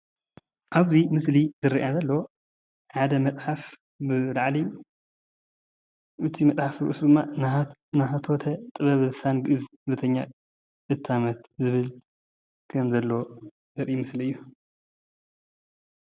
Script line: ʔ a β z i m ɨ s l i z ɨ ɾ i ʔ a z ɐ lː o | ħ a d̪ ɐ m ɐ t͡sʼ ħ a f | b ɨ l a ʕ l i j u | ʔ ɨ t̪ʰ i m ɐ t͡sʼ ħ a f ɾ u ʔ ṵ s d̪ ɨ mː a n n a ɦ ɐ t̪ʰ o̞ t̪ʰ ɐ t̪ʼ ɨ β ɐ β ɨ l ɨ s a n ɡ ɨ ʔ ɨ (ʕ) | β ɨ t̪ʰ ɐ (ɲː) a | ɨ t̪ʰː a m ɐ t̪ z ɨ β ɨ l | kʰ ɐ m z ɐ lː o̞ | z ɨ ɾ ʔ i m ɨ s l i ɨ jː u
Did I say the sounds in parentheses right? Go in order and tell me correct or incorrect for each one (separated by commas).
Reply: incorrect, correct